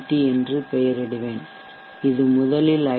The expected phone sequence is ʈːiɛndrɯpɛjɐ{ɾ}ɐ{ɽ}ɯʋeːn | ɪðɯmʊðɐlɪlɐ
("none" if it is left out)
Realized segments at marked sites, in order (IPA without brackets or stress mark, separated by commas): ɾ, ɽ